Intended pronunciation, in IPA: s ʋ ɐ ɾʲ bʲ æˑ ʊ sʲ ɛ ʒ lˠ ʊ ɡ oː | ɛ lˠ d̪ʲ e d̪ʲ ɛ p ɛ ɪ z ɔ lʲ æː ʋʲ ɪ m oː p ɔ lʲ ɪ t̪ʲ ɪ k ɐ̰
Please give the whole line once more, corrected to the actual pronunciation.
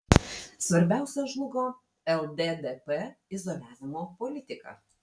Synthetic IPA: s ʋ ɐ ɾʲ bʲ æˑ ʊ sʲ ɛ ʒ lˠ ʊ ɡ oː | ɛ lˠ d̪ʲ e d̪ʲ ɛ p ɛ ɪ z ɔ lʲ æː ʋʲ ɪ m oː p ɔ lʲ ɪ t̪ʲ ɪ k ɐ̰